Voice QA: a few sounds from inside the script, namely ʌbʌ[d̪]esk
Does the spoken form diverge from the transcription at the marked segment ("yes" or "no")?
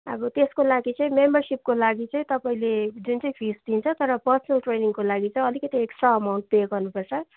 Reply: yes